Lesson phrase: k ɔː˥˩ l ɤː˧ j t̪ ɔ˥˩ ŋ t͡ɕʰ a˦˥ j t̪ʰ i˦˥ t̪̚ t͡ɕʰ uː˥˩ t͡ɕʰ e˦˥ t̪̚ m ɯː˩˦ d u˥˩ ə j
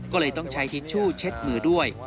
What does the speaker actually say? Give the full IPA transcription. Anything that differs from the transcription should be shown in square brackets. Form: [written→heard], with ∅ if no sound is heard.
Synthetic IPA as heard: k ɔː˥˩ l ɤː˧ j t̪ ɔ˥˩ ŋ t͡ɕʰ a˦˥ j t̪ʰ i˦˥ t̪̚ t͡ɕʰ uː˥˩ t͡ɕʰ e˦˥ t̪̚ m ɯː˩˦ d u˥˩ ə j